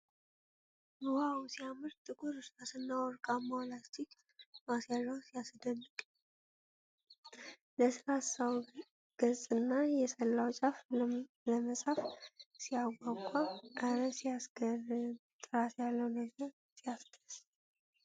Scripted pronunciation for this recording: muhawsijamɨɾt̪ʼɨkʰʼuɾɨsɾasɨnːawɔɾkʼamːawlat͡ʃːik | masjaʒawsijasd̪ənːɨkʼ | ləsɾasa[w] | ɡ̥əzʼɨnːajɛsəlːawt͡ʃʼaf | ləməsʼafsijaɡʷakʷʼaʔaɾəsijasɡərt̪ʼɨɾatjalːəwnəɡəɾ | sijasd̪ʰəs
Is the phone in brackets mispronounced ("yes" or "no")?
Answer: no